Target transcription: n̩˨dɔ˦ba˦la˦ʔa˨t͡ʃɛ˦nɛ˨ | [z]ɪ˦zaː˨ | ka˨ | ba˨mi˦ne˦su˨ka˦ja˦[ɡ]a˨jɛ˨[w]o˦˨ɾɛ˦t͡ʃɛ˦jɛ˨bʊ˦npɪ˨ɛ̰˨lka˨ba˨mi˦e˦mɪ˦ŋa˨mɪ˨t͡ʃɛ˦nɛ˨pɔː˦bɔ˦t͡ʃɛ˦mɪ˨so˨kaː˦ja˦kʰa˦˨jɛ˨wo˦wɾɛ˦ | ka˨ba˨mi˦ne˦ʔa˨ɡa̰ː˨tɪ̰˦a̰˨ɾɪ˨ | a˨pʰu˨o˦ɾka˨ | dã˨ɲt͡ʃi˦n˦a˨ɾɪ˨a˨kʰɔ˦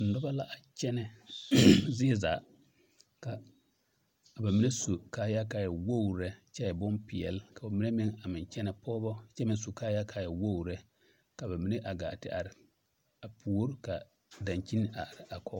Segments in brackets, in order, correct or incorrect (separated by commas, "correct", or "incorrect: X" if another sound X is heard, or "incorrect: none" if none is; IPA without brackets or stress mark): correct, incorrect: k, correct